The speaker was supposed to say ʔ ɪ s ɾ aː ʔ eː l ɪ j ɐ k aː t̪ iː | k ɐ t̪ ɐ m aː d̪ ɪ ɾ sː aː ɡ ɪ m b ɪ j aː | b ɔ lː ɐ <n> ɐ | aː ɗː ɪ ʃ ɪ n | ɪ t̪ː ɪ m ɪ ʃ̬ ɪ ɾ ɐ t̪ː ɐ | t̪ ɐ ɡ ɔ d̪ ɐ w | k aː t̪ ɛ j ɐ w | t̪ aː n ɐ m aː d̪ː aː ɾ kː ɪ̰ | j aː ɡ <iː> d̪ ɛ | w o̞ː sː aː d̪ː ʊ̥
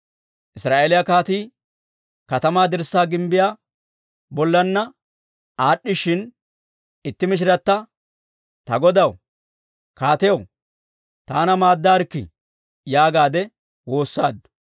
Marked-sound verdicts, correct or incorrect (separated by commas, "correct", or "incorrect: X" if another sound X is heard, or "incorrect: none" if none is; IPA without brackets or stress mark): incorrect: nː, incorrect: aː